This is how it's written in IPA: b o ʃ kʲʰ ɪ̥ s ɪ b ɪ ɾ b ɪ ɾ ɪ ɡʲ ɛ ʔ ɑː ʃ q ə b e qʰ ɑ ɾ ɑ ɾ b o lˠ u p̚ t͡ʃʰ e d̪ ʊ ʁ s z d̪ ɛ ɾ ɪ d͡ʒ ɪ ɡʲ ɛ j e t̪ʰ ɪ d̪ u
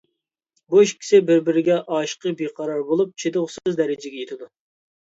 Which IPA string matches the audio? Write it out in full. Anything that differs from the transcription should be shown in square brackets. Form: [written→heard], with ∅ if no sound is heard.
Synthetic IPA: b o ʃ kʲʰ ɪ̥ s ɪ b ɪ ɾ b ɪ ɾ ɪ ɡʲ ɛ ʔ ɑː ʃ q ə b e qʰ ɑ ɾ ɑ ɾ b o lˠ u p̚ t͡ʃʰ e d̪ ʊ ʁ s z d̪ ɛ ɾ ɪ d͡ʒ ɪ ɡʲ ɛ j e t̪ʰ ɪ d̪ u